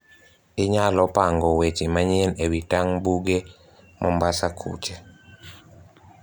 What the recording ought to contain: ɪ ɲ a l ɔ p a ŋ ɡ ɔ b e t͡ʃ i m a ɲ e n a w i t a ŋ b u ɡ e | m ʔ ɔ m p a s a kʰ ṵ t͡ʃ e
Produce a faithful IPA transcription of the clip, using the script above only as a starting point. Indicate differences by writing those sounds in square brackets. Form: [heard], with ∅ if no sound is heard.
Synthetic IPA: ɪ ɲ a l ɔ p a ŋ ɡ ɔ [w] e t͡ʃ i m a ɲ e n [e] w i t a ŋ b u ɡ e | m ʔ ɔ m [b] a s a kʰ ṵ t͡ʃ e